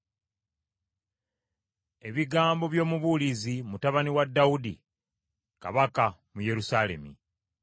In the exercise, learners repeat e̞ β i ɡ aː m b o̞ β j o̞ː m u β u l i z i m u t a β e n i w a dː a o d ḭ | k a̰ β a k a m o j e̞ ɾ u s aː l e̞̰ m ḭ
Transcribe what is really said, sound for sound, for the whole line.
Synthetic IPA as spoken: e̞ β i ɡ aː m b o̞ β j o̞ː m u β u l i z i m u t a β a n i w a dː a u d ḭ | k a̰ β a k a m u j e̞ ɾ u s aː l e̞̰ m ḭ